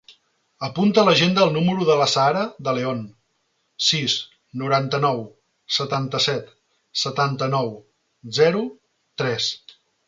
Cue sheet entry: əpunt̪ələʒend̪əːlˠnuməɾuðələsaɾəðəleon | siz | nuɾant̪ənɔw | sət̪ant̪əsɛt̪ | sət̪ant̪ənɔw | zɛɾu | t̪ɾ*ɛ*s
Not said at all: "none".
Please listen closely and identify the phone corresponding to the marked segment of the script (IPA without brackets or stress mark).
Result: ɛ